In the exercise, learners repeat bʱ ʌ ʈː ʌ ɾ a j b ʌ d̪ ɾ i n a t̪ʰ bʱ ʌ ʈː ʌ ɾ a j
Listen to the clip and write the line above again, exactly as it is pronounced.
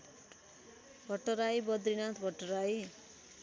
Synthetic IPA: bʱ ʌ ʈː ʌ ɾ a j b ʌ d̪ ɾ i n a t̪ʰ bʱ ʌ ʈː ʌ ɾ a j